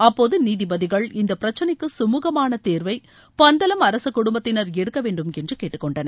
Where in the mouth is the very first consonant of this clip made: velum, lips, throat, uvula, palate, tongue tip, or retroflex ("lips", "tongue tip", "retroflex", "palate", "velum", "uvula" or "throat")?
lips